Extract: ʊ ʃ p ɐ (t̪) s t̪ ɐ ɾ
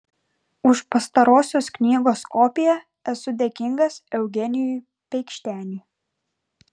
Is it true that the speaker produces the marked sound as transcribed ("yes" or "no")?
no